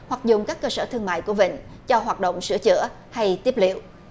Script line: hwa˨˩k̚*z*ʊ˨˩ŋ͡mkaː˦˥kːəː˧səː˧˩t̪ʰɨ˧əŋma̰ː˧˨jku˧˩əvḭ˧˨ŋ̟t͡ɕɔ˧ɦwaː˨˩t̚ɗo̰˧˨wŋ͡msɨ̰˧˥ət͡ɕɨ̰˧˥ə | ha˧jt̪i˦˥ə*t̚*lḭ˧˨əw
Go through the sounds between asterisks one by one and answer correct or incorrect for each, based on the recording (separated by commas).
correct, incorrect